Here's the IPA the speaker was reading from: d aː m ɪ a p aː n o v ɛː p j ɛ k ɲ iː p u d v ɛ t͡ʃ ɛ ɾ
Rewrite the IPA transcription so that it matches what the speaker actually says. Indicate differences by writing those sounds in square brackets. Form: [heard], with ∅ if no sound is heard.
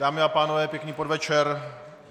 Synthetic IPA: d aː m ɪ a p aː n o v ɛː p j ɛ k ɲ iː p [o] d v ɛ t͡ʃ ɛ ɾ